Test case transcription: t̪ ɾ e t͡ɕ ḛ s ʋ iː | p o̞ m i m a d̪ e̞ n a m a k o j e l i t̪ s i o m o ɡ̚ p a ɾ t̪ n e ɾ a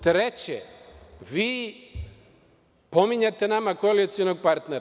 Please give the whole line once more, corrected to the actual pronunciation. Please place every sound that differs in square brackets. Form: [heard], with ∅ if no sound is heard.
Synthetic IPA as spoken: t̪ ɾ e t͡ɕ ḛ [∅] ʋ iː | p o̞ m i [ɲ] a [t̪] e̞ n a m a k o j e l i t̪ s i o [n] o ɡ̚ p a ɾ t̪ n e ɾ a